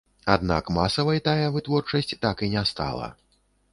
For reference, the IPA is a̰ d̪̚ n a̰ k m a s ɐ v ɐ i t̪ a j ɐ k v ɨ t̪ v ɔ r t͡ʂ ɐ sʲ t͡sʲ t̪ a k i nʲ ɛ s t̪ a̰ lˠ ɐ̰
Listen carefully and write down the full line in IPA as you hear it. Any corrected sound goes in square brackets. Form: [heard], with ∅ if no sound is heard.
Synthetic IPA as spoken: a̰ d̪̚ n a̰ k m a s ɐ v ɐ [j] t̪ a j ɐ [∅] v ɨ t̪ v ɔ r t͡ʂ ɐ sʲ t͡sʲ t̪ a k i nʲ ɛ s t̪ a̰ lˠ ɐ̰